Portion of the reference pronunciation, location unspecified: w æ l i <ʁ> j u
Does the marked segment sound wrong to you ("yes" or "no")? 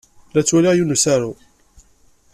no